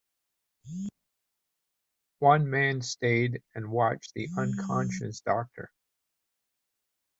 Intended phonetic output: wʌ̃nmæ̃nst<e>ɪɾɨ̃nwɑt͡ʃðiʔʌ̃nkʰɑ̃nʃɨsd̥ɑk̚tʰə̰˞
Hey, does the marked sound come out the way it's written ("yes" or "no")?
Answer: yes